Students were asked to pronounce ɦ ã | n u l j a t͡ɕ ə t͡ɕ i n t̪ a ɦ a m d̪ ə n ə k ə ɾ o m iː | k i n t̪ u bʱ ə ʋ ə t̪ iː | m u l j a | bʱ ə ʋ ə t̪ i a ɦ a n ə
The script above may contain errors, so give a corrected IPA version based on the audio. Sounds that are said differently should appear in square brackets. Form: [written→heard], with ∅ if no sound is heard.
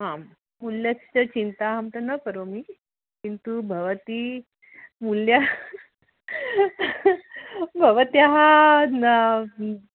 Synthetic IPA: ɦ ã | [n→m] u l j a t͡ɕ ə t͡ɕ i n t̪ a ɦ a m [d̪→t̪] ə n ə k ə ɾ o m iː | k i n t̪ u bʱ ə ʋ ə t̪ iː | m u l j a | bʱ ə ʋ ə t̪ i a ɦ a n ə